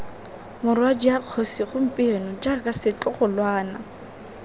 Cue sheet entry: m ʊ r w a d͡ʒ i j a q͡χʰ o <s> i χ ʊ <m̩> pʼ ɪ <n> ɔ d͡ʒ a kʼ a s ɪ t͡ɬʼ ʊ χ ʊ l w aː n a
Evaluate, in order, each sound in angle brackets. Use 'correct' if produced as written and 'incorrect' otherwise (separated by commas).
correct, correct, correct